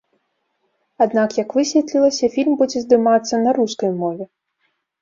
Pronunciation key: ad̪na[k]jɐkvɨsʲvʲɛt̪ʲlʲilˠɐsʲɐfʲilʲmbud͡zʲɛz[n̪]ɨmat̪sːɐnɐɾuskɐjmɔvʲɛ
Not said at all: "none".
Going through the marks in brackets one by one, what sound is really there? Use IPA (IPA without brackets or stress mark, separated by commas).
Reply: k, d̪